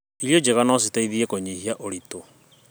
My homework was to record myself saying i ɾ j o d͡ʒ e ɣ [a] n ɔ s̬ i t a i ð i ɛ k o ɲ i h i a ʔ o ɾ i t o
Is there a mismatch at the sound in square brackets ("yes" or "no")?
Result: no